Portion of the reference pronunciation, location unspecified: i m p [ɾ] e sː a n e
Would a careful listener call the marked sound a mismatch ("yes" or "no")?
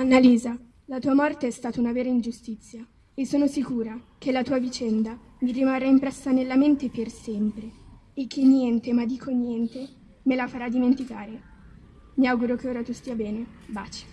no